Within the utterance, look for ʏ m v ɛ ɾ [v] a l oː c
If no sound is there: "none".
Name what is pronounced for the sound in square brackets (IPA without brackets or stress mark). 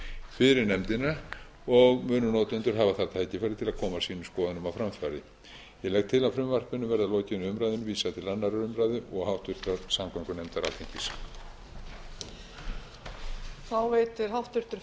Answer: ð